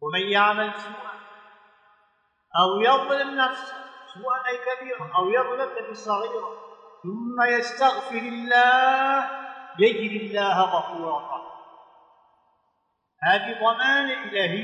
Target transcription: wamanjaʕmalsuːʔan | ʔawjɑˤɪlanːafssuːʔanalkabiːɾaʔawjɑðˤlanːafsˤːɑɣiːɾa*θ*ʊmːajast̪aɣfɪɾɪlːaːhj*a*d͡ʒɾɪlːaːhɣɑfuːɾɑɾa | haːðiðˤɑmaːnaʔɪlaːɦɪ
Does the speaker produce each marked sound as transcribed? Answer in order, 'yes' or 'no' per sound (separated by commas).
yes, yes